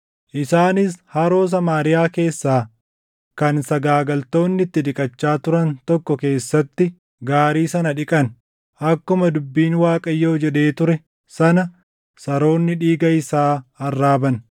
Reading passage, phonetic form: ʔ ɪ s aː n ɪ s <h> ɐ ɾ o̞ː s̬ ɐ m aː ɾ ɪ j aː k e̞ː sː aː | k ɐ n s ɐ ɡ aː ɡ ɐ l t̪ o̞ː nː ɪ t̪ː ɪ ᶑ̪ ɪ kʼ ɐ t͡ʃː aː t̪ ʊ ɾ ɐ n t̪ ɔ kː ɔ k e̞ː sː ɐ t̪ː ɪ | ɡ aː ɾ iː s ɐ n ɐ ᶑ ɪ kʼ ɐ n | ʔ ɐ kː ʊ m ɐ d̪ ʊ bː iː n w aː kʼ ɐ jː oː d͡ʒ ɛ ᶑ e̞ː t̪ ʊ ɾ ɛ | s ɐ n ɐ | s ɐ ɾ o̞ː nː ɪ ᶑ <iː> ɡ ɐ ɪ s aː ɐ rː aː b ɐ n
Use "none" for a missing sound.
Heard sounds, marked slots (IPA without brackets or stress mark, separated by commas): h, iː